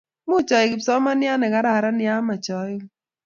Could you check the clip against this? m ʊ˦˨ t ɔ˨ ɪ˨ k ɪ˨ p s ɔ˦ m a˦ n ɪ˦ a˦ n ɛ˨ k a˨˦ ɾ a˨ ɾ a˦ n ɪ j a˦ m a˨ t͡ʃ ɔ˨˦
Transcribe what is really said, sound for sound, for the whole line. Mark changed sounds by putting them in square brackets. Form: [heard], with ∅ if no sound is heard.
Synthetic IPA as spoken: m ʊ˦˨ [t͡ʃ] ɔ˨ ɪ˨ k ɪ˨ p s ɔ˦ m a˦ n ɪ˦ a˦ n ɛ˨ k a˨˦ ɾ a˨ ɾ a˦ n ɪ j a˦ m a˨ t͡ʃ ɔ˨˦